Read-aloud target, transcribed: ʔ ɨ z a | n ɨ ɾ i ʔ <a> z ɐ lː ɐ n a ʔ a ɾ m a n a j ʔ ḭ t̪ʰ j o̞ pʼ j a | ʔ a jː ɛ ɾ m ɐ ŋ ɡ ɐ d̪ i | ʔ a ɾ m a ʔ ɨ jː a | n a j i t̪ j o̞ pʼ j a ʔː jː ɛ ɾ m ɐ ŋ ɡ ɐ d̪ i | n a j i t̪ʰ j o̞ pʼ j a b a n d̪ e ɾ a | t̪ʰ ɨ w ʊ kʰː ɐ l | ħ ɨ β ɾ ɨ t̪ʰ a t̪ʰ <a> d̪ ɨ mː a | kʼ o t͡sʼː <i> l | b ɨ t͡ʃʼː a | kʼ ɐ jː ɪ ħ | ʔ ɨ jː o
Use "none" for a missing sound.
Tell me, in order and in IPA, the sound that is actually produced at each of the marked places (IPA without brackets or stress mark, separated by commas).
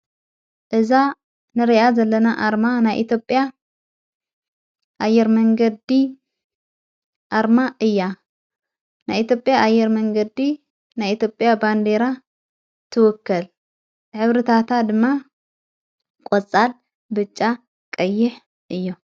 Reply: a, a, a